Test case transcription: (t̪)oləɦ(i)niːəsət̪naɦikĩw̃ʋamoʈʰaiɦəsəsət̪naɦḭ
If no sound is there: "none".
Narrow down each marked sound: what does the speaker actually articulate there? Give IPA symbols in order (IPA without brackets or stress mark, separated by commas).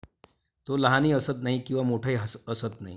t̪, a